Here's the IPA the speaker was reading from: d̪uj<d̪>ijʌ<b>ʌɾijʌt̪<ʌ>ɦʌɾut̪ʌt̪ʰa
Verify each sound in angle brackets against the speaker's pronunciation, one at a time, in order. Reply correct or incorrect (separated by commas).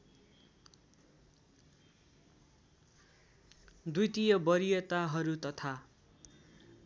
incorrect, correct, incorrect